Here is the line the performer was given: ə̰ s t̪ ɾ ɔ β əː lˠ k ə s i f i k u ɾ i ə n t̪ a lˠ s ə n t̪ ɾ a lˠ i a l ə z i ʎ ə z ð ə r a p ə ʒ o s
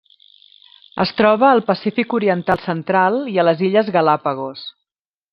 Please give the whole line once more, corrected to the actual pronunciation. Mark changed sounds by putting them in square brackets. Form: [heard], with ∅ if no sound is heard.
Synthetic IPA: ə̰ s t̪ ɾ ɔ β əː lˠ [p] ə s i f i k u ɾ i ə n t̪ a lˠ s ə n t̪ ɾ a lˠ i [ə] l ə z i ʎ ə z [ɣ] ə [l] a p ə [ɣ] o s